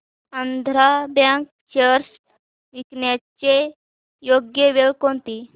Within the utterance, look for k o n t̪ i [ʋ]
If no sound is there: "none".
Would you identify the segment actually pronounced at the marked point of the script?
none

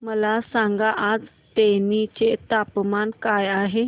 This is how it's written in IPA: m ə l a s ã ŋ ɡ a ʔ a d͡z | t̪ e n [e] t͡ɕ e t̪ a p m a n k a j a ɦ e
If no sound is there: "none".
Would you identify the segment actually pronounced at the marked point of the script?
i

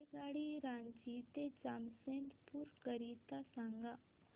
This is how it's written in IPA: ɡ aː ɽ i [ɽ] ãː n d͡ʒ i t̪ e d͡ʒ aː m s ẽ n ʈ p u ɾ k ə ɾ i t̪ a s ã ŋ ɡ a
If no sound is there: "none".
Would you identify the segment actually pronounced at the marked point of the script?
ɾ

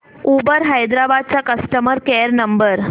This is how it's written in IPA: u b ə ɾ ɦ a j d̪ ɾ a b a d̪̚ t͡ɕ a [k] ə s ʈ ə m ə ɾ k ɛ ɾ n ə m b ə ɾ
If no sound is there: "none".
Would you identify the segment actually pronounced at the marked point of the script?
k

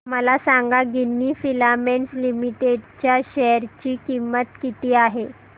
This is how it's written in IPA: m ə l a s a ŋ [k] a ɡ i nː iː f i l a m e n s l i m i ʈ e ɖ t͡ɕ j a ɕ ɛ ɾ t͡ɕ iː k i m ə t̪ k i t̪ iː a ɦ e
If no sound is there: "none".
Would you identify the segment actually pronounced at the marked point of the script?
ɡ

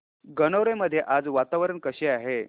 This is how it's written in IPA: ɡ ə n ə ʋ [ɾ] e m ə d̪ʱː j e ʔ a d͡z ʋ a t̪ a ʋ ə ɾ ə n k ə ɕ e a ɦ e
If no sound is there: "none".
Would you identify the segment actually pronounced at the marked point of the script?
ɾ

